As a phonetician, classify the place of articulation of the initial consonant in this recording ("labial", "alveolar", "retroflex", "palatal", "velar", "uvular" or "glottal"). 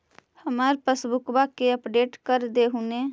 glottal